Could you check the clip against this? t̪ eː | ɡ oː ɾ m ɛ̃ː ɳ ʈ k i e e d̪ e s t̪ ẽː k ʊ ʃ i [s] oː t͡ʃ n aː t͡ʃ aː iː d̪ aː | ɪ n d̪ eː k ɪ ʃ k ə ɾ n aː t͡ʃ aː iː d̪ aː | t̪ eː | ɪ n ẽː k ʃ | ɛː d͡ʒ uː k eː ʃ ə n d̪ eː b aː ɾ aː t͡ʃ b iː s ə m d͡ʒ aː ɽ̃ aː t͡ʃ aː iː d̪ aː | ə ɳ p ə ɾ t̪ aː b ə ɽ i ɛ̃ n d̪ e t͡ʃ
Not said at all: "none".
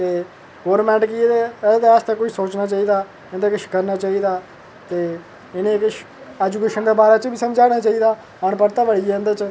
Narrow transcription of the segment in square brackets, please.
s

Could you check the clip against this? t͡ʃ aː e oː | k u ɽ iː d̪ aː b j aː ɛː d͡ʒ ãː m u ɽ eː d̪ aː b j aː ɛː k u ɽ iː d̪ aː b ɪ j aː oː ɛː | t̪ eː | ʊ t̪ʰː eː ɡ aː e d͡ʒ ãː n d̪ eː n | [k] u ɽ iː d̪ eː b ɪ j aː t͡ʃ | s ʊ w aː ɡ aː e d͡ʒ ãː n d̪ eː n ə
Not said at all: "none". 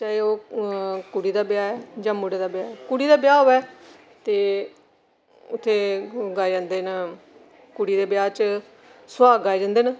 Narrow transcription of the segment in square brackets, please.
k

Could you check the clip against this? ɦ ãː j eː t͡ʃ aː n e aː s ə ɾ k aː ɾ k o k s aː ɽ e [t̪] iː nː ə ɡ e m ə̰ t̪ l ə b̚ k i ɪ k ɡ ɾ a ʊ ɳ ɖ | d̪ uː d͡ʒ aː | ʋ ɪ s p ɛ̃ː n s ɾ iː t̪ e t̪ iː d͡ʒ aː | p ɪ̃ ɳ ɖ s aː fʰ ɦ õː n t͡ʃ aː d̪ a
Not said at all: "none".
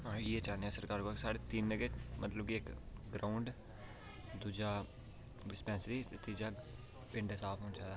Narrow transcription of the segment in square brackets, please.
t̪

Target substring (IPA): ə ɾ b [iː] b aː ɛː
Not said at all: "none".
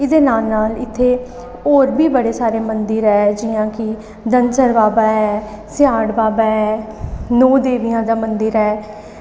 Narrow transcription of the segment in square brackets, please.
aː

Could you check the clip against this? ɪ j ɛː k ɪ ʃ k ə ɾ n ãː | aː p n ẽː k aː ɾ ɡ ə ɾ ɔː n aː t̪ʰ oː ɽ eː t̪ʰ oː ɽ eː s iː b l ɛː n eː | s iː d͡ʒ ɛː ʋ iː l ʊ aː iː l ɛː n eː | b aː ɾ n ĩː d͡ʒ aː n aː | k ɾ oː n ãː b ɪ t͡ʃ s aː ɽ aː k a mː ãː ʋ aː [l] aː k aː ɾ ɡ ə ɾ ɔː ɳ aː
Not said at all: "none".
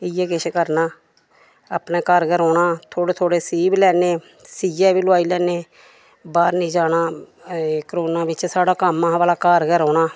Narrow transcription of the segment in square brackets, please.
l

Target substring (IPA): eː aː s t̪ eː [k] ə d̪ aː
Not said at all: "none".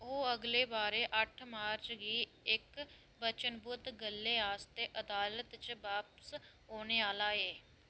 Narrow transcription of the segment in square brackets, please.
ʔ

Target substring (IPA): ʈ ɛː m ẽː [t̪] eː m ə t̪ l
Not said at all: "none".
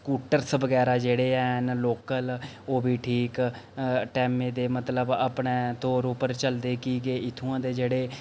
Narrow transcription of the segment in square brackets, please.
d̪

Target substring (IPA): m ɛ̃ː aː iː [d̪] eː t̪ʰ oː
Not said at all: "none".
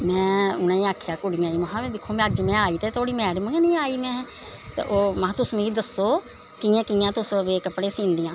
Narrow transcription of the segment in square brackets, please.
t̪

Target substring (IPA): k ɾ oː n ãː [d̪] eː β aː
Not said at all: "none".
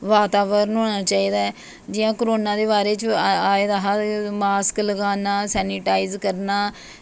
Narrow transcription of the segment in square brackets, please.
d̪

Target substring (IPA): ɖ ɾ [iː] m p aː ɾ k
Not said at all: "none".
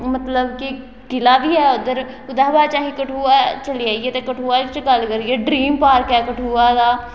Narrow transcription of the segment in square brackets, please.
iː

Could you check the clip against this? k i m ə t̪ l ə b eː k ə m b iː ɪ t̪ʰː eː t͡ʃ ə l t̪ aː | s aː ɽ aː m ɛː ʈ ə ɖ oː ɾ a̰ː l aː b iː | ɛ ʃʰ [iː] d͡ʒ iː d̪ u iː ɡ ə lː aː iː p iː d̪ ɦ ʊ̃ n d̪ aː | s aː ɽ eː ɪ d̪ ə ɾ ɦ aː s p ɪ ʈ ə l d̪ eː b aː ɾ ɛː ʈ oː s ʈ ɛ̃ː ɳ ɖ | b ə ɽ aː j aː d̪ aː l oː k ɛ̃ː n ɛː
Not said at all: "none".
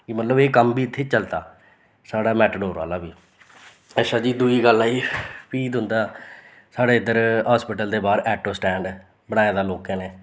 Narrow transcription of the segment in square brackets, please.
aː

